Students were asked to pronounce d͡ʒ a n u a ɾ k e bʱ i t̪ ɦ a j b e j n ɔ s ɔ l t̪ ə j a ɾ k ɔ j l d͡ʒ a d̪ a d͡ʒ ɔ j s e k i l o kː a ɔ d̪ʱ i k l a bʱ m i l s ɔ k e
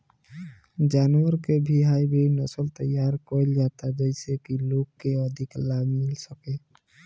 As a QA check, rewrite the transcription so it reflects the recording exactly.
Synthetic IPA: d͡ʒ a n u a ɾ k e bʱ i ɦ a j b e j n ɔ s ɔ l t̪ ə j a ɾ k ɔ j l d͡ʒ a t̪ a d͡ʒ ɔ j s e k i l o kː e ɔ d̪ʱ i k l a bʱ m i l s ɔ k e